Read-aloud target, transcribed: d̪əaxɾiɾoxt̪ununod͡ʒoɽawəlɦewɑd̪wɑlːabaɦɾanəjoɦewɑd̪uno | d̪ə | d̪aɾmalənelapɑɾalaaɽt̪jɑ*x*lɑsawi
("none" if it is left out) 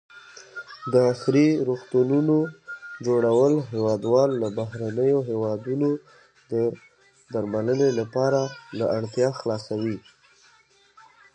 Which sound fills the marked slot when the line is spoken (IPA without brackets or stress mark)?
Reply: x